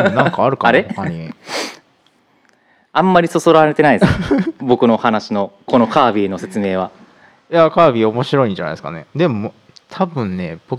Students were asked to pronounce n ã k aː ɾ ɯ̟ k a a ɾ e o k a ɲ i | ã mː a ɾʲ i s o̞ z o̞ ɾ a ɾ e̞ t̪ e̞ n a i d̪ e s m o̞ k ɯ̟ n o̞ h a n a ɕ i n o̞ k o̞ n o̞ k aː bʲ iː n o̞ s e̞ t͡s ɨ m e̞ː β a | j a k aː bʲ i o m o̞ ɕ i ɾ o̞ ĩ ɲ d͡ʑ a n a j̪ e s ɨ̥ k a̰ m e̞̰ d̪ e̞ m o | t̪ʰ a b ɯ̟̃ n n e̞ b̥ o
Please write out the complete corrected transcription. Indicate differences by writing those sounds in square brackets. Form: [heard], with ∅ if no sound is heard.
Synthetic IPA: n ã k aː ɾ ɯ̟ k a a ɾ e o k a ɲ i | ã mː a ɾʲ i s o̞ [s] o̞ ɾ a ɾ e̞ t̪ e̞ n a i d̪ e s [b] o̞ k ɯ̟ n o̞ h a n a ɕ i n o̞ k o̞ n o̞ k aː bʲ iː n o̞ s e̞ t͡s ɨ m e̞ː β a | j a k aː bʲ i o m o̞ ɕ i ɾ o̞ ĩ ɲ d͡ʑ a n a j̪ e s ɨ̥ k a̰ [n] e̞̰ d̪ e̞ m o | t̪ʰ a b ɯ̟̃ n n e̞ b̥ o